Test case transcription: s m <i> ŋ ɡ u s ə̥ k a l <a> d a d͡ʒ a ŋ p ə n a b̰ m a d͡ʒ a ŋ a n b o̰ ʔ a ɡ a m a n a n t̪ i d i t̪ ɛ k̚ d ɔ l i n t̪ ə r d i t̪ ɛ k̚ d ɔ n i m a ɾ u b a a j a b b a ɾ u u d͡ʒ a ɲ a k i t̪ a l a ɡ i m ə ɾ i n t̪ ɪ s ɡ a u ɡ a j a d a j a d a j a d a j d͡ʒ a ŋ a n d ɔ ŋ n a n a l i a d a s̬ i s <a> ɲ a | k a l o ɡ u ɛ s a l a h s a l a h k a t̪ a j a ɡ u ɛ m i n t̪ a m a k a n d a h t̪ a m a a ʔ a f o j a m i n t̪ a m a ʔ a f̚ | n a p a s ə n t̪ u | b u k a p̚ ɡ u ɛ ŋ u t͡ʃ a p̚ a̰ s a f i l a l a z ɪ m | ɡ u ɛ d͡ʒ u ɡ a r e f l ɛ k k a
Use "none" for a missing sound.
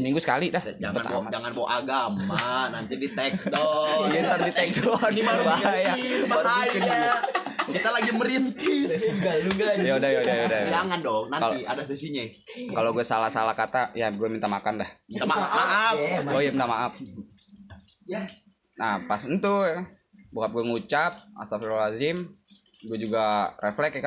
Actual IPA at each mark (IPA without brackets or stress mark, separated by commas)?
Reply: i, i, i